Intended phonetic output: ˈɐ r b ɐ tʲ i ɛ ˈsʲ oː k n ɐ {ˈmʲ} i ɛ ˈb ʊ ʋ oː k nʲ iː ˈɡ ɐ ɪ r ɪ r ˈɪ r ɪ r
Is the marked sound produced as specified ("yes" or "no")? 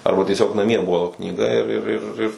yes